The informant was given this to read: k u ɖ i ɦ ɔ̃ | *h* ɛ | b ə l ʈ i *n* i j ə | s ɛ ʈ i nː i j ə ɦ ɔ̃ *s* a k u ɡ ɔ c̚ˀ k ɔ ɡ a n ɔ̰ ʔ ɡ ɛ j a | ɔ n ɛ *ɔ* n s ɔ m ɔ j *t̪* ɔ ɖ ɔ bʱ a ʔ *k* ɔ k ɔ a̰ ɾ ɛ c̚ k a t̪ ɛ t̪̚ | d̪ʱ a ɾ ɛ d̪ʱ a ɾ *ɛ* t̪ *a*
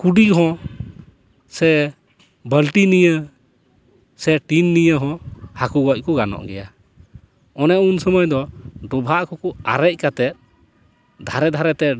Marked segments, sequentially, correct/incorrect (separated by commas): incorrect, correct, incorrect, incorrect, incorrect, correct, correct, incorrect